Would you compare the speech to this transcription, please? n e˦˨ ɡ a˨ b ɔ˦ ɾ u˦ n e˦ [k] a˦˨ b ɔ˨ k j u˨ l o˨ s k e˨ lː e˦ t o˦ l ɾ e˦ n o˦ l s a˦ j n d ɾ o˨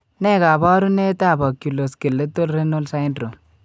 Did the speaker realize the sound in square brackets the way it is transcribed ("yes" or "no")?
no